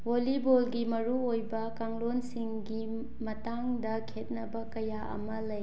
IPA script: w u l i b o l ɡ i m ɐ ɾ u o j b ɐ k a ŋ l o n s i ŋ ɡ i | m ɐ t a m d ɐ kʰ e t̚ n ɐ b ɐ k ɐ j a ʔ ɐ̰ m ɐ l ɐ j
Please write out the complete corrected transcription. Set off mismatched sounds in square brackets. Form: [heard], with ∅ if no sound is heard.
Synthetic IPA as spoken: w [o] l i b o l ɡ i m ɐ ɾ u o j b ɐ k a ŋ l o n s i ŋ ɡ i | m ɐ t a [ŋ] d ɐ kʰ e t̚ n ɐ b ɐ k ɐ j a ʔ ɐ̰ m ɐ l ɐ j

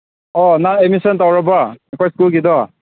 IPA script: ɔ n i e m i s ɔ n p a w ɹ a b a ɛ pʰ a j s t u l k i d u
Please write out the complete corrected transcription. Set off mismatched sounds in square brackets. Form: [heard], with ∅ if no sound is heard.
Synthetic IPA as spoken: ɔ n [a] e m i s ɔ n [t] a w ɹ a b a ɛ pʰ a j s [k] u l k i d [ɔ]

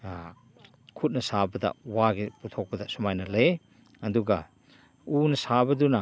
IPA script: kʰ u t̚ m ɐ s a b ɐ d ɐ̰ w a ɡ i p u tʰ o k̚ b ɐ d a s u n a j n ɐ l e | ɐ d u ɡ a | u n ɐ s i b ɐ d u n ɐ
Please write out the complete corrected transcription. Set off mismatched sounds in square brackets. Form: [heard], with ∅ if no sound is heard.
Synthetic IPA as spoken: kʰ u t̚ [n] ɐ s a b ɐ d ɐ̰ w a ɡ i p u tʰ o k̚ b ɐ d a s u [m] a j n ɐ l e | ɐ d u ɡ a | u n ɐ s [a] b ɐ d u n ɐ

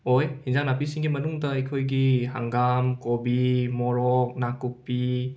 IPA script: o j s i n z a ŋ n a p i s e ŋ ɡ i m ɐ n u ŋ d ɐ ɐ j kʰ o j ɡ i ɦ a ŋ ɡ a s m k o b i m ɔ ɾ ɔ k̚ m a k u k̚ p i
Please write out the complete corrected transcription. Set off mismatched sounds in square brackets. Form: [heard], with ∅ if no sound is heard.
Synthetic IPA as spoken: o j [h] i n z a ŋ n a p i s [i] ŋ ɡ i m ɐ n u ŋ d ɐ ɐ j kʰ o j ɡ i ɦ a ŋ ɡ a [∅] m k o b i m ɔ ɾ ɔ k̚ [n] a k u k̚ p i

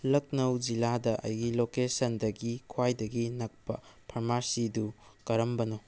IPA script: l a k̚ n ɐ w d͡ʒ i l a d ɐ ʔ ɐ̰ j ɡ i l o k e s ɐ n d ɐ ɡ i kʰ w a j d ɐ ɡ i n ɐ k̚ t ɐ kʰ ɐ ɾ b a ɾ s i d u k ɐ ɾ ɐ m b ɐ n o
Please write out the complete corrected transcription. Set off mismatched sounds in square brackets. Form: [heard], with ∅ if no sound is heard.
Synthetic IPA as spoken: l [ɐ] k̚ n ɐ w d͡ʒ i l a d ɐ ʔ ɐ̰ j ɡ i l o k e s ɐ n d ɐ ɡ i kʰ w a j d ɐ ɡ i n ɐ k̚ [p] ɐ [pʰ] ɐ ɾ [m] a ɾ s i d u k ɐ ɾ ɐ m b ɐ n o

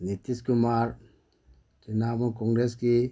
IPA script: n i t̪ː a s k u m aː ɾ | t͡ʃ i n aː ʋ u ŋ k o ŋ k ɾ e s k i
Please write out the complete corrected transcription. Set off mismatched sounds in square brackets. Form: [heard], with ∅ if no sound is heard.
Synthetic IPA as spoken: n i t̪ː [i] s k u m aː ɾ | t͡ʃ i n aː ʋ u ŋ k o ŋ [ɡ] ɾ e s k i

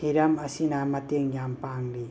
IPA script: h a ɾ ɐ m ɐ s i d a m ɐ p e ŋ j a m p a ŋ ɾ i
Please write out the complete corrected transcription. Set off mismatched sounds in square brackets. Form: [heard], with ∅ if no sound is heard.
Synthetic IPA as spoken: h [i] ɾ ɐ m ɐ s i [n] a m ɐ [t] e ŋ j a m p a ŋ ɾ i

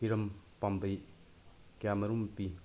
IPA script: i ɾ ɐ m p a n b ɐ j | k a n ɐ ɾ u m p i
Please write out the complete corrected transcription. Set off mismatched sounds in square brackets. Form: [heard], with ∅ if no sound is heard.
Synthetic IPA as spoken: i ɾ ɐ m p a [m] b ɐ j | k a [m] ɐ ɾ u m p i

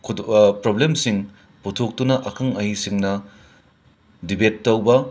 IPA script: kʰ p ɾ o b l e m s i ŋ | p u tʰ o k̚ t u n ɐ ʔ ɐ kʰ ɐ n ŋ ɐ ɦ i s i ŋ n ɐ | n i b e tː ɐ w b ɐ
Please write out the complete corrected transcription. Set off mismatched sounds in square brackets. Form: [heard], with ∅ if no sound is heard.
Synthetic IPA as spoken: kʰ p ɾ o b l e m s i ŋ | p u tʰ o k̚ t u n ɐ ʔ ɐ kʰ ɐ [∅] ŋ ɐ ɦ i s i ŋ n ɐ | [d] i b e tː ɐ w b ɐ

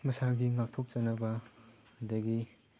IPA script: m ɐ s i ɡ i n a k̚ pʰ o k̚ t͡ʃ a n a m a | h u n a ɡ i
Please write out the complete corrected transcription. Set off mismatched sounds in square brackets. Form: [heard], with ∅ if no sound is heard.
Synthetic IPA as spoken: m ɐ s [a] ɡ i [ŋ] a k̚ [tʰ] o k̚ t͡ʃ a n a [b] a | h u [d] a ɡ i

